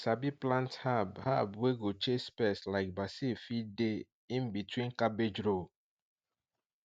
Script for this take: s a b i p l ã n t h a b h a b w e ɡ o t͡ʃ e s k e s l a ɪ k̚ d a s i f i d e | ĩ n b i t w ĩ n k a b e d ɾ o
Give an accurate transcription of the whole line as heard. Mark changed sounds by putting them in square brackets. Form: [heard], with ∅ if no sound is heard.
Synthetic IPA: s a b i p l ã n t h a b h a b w e ɡ o t͡ʃ e s [p] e s l a ɪ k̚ [b] a s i f i d e | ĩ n b i t w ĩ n k a b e [d͡ʒ] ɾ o